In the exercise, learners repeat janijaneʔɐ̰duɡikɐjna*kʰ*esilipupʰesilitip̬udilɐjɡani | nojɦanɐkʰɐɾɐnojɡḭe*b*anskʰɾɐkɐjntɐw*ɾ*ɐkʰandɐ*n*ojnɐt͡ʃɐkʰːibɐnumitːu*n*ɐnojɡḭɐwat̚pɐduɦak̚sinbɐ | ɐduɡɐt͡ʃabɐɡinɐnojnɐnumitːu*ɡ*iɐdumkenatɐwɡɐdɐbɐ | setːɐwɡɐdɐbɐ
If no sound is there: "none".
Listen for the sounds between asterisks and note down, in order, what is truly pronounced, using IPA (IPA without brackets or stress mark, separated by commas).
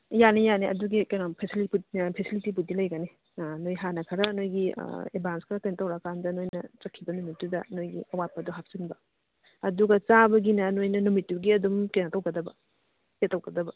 pʰ, b, ɾ, n, d, ɡ